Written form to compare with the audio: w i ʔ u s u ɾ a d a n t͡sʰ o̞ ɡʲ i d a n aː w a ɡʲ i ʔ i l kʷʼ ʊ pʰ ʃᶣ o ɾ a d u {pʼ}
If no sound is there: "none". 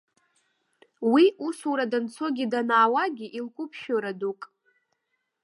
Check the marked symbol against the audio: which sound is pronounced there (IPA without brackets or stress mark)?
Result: kʼ